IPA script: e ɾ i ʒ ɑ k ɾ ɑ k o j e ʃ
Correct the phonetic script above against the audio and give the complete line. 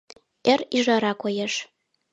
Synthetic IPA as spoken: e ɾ i ʒ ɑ ɾ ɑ k o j e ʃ